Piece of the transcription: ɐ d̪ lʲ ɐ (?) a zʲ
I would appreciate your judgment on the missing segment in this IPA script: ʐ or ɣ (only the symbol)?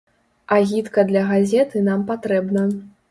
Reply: ɣ